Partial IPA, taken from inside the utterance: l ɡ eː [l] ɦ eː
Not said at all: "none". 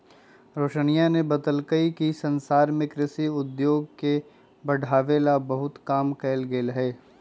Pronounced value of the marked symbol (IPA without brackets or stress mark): l